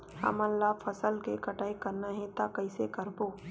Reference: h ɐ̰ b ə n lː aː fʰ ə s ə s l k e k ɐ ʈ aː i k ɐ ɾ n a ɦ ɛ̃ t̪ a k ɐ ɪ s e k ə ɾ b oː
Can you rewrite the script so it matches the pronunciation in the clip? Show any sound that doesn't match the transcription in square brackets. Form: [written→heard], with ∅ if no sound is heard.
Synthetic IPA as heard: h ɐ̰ [b→m] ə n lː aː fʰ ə s ə [s→∅] l k e k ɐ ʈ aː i k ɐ ɾ n a ɦ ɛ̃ t̪ a k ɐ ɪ s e k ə ɾ b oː